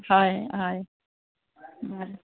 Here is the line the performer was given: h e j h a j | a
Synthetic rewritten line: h a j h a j | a

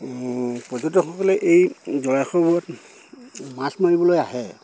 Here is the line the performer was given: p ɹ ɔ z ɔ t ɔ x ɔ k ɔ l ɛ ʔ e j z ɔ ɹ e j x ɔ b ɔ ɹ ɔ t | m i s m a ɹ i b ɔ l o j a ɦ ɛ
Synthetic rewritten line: p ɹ ɔ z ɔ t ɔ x ɔ k ɔ l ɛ ʔ e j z ɔ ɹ a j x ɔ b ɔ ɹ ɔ t | m a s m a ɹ i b ɔ l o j a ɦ ɛ

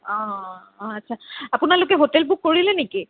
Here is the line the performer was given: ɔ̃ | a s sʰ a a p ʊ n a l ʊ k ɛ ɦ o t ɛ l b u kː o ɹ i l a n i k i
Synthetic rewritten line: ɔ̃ | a t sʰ a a p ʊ n a l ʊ k ɛ ɦ o t ɛ l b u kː o ɹ i l ɛ n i k i

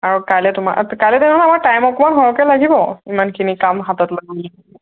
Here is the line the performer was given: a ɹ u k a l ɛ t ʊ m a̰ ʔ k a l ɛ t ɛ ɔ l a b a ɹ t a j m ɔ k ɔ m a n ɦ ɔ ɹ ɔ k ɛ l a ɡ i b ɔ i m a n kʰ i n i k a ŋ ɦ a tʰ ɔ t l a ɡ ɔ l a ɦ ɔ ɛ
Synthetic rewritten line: a ɹ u k a l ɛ t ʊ m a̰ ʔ k a l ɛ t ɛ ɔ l a m a ɹ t a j m ɔ k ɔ m a n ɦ ɔ ɹ ɔ k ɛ l a ɡ i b ɔ i m a n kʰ i n i k a m ɦ a t ɔ t l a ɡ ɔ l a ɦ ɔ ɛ

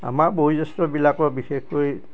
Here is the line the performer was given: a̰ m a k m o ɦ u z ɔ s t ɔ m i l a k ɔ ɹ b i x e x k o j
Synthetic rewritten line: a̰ m a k b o ɦ u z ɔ s t ɔ b i l a k ɔ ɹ b i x e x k o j

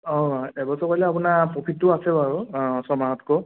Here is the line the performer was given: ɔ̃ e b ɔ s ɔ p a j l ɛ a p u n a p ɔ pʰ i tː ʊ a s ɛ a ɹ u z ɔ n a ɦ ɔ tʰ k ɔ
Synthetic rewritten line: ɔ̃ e b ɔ s ɔ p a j l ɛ a p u n a p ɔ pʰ i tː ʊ a s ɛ a ɹ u s ɔ m a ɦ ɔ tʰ k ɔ

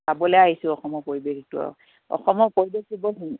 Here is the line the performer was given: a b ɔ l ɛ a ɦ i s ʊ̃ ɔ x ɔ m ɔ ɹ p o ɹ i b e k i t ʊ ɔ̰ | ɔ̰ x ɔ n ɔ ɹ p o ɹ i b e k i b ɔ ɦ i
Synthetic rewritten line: a b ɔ l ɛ a ɦ i s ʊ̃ ɔ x ɔ m ɔ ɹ p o ɹ i b e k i t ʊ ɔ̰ | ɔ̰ x ɔ m ɔ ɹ p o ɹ i b e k i b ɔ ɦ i

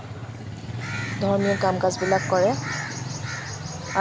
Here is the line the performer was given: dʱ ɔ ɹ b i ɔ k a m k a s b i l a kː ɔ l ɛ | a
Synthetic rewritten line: dʱ ɔ ɹ m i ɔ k a m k a z b i l a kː ɔ ɹ ɛ | a

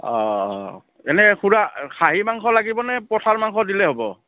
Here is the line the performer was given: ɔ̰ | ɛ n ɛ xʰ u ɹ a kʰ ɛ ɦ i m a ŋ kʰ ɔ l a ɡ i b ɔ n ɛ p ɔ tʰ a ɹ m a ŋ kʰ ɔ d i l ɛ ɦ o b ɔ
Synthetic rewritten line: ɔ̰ | ɛ n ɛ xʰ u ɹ a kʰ a ɦ i m a ŋ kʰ ɔ l a ɡ i b ɔ n ɛ p ɔ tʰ a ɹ m a ŋ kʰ ɔ d i l ɛ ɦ o b ɔ

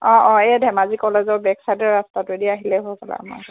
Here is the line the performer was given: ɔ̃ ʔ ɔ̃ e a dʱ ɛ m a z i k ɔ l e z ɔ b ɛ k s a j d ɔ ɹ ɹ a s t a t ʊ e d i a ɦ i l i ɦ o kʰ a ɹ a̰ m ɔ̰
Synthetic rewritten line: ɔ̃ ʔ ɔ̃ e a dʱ ɛ m a z i k ɔ l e z ɔ b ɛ k s a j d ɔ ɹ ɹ a s t a t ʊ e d i a ɦ i l ɛ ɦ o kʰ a l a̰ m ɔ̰

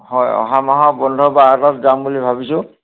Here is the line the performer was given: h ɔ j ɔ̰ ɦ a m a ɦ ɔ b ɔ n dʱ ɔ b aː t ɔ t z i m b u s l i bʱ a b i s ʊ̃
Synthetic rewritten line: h ɔ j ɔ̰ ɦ a m a ɦ ɔ b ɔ n dʱ ɔ b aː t ɔ t z a m b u l i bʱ a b i s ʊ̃

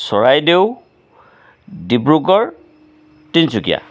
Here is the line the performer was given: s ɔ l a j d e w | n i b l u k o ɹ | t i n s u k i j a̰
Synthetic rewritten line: s ɔ ɹ a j d e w | d i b ɹ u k ɔ ɹ | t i n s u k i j a̰

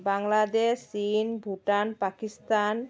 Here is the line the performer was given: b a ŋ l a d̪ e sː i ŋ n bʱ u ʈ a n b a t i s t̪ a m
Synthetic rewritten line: b a ŋ l a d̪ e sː i n bʱ u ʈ a n p a k i s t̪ a n

